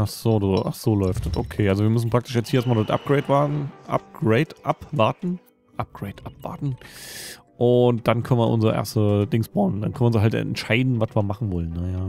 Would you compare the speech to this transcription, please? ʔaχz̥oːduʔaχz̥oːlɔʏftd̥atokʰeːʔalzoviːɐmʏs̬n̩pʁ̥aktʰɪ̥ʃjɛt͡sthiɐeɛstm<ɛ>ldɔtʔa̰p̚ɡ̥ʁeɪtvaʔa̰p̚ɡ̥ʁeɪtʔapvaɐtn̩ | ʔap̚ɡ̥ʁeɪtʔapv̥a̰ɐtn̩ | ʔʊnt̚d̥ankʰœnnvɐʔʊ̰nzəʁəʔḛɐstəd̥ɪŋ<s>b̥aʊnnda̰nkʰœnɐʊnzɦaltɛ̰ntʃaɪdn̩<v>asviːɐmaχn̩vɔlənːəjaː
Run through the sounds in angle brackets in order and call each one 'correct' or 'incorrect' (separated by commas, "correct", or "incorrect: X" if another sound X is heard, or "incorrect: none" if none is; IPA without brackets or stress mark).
incorrect: a, correct, correct